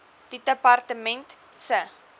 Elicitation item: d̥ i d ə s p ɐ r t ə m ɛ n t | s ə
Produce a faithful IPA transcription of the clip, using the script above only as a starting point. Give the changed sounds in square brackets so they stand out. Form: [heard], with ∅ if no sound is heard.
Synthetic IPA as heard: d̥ i d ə [∅] p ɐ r t ə m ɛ n t | s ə